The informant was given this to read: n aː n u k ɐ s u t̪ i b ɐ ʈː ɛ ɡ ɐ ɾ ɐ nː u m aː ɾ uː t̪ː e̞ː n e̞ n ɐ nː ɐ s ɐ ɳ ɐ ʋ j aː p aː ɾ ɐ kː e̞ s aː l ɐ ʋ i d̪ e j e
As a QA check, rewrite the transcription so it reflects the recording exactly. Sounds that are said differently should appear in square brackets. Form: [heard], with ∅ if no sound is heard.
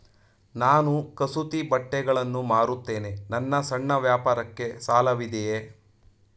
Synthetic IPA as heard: n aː n u k ɐ s u t̪ i b ɐ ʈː ɛ ɡ ɐ [ɭ] ɐ nː u m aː ɾ [u] t̪ː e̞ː n e̞ n ɐ nː ɐ s ɐ [ɳː] ɐ ʋ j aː p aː ɾ ɐ kː e̞ s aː l ɐ ʋ i d̪ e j e

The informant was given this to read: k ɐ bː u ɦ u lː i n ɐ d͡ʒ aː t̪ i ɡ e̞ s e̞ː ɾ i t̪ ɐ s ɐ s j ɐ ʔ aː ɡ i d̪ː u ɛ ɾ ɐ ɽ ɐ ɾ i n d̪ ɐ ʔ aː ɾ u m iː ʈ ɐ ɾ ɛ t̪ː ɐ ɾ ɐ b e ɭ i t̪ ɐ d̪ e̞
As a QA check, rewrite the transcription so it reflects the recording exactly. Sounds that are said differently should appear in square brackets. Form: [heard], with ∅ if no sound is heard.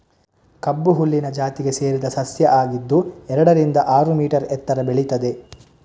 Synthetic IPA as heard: k ɐ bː u ɦ u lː i n ɐ d͡ʒ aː t̪ i ɡ e̞ s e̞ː ɾ i [d̪] ɐ s ɐ s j ɐ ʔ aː ɡ i d̪ː u ɛ ɾ ɐ ɽ ɐ ɾ i n d̪ ɐ ʔ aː ɾ u m iː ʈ ɐ ɾ ɛ t̪ː ɐ ɾ ɐ b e ɭ i t̪ ɐ d̪ e̞

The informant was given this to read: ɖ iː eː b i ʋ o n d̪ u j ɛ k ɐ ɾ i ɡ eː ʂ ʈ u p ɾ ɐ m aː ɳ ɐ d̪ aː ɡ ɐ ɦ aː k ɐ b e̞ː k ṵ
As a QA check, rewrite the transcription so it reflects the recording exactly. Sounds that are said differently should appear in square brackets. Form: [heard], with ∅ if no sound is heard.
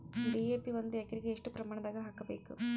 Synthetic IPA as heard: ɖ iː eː [p] i ʋ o n d̪ u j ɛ k ɐ ɾ i ɡ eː ʂ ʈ u p ɾ ɐ m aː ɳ ɐ d̪ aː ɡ ɐ ɦ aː k ɐ b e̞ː k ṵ

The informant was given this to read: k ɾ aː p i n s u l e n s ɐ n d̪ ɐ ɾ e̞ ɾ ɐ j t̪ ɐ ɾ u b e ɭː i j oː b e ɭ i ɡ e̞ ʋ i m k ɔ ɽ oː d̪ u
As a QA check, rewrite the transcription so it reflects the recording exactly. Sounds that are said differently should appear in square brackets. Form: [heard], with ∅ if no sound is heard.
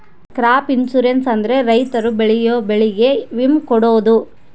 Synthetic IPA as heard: k ɾ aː p i n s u [ɾ] e n s ɐ n d̪ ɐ ɾ e̞ ɾ ɐ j t̪ ɐ ɾ u b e [ɭ] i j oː b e ɭ i ɡ e̞ ʋ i m k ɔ ɽ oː d̪ u

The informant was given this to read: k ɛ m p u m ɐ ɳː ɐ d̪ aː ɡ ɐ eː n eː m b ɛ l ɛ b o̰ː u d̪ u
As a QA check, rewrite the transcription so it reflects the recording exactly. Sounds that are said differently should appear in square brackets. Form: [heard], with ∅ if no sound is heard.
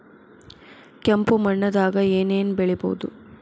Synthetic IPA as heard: k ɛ m p u m ɐ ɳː ɐ d̪ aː ɡ ɐ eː n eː [n] b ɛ [ɭ] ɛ b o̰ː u d̪ u

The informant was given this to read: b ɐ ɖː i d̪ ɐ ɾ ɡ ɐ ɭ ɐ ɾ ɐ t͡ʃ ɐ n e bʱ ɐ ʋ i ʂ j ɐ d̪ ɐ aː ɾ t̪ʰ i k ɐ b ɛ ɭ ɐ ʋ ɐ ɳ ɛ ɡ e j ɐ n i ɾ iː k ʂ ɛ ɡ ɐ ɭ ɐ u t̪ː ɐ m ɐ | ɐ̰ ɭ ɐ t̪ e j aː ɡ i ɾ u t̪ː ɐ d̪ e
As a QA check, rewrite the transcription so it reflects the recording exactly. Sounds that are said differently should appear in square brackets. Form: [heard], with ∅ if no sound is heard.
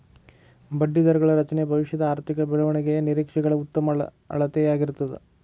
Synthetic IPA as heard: b ɐ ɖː i d̪ ɐ ɾ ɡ ɐ ɭ ɐ ɾ ɐ t͡ʃ ɐ n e bʱ ɐ ʋ i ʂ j ɐ d̪ ɐ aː ɾ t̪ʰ i k ɐ b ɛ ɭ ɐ ʋ ɐ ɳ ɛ ɡ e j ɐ n i ɾ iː k ʂ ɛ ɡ ɐ ɭ ɐ u t̪ː ɐ m ɐ | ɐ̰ ɭ ɐ t̪ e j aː ɡ i ɾ u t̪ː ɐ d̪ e

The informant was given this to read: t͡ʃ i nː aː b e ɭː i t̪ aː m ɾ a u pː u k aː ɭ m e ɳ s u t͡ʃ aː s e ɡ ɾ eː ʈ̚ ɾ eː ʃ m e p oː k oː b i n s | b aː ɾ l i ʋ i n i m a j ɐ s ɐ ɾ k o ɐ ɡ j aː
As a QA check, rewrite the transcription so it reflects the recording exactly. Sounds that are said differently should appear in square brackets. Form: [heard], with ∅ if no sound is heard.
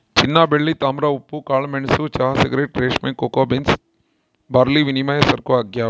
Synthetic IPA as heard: t͡ʃ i nː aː b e ɭː i t̪ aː m ɾ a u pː u k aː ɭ m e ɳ s u t͡ʃ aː s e ɡ ɾ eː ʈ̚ ɾ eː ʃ m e [k] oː k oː b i n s | b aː ɾ l i ʋ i n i m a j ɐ s ɐ ɾ k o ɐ ɡ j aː

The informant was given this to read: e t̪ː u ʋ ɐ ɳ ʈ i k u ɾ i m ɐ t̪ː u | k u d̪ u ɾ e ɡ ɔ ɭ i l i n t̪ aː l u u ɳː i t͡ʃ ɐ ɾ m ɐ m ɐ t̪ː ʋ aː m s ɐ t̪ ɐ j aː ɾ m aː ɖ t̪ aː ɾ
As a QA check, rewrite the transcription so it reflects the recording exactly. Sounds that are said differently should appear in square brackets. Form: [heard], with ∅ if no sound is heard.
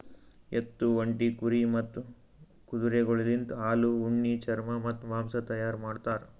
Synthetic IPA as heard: e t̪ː u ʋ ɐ ɳ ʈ i k u ɾ i m ɐ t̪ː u | k u d̪ u ɾ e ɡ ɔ ɭ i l i n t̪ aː l u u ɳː i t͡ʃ ɐ ɾ m ɐ m ɐ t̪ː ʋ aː m s ɐ t̪ ɐ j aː ɾ m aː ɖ t̪ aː ɾ

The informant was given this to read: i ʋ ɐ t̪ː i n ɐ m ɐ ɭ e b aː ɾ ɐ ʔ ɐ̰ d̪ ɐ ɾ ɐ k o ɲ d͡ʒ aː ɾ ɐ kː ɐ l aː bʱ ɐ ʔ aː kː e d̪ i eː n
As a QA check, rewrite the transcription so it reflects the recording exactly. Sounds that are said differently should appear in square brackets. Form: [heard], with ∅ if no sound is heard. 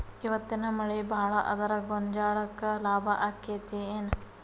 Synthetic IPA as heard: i ʋ ɐ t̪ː i n ɐ m ɐ ɭ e b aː [ɭ] ɐ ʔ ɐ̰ d̪ ɐ ɾ ɐ [ɡ] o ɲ d͡ʒ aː [ɭ] ɐ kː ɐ l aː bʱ ɐ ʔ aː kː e [t̪] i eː n

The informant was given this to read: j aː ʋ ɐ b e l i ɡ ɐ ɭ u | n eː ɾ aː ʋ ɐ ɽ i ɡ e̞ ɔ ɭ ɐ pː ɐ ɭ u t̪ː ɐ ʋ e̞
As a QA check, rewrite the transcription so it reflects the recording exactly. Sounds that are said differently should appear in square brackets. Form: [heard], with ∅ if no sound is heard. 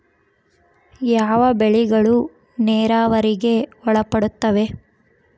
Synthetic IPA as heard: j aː ʋ ɐ b e [ɭ] i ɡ ɐ ɭ u | n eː ɾ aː ʋ ɐ [ɾ] i ɡ e̞ ɔ ɭ ɐ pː ɐ [ɽ] u t̪ː ɐ ʋ e̞

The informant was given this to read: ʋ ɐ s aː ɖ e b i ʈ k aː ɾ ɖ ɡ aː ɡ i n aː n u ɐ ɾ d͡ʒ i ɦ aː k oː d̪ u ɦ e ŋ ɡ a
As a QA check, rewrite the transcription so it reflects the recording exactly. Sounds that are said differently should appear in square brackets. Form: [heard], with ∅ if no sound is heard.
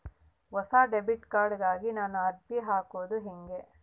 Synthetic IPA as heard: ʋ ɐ s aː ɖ e b i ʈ k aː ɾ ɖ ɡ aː ɡ i n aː n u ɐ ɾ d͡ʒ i ɦ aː k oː d̪ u ɦ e ŋ ɡ [e]

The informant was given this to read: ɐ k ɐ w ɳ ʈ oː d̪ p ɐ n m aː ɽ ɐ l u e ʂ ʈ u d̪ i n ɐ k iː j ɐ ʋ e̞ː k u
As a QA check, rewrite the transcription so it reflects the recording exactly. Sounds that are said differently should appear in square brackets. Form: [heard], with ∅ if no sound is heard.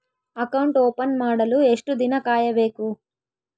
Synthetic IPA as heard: ɐ k ɐ w ɳ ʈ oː [∅] p ɐ n m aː ɽ ɐ l u e ʂ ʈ u d̪ i n ɐ k [aː] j ɐ ʋ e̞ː k u

